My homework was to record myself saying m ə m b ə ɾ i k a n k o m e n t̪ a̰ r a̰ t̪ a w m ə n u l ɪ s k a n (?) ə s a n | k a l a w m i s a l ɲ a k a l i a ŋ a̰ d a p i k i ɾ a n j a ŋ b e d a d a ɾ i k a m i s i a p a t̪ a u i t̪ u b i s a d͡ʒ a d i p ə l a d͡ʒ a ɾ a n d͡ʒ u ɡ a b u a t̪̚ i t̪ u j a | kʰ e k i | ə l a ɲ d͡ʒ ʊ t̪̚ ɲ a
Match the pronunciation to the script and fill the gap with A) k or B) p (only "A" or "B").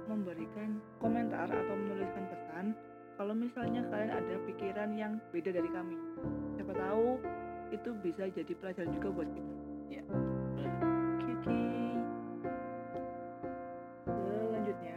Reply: B